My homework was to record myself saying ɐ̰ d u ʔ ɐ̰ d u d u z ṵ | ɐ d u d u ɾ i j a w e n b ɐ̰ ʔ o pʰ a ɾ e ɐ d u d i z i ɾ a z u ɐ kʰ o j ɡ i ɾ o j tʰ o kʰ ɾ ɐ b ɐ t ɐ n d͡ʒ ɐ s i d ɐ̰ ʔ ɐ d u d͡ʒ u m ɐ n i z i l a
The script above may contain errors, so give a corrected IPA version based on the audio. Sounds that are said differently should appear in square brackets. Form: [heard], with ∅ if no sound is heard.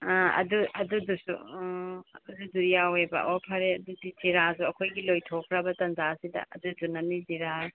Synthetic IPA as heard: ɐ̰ d u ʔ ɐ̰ d u d u [s] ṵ | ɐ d u d u ɾ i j a w e [∅] b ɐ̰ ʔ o pʰ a ɾ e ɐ d u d i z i ɾ a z u ɐ kʰ o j ɡ i [l] o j tʰ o kʰ ɾ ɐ b ɐ t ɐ n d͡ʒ [a] s i d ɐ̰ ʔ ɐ d u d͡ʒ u [n] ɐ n i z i [ɾ] a